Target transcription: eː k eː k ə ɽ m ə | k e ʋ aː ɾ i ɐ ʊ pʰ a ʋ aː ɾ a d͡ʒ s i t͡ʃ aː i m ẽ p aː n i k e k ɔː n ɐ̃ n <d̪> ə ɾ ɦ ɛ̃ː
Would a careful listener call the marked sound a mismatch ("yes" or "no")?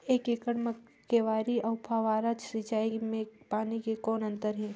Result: yes